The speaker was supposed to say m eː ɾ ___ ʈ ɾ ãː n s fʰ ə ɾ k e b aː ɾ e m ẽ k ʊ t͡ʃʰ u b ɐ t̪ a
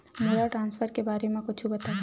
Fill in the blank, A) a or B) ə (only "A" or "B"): A